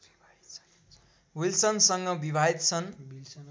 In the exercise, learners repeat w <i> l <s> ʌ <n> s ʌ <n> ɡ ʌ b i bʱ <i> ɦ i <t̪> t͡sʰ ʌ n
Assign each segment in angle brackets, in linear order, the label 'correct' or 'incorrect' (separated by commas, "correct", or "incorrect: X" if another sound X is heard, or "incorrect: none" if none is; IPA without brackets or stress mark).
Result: correct, correct, correct, incorrect: ŋ, incorrect: a, correct